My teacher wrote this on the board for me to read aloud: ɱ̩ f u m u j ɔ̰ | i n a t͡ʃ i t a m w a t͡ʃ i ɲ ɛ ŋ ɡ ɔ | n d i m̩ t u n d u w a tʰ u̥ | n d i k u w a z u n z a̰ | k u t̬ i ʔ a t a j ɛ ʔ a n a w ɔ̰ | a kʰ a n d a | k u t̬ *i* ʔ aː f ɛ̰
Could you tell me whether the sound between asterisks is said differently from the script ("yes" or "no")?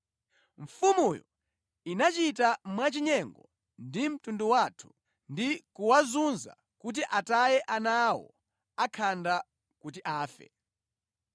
no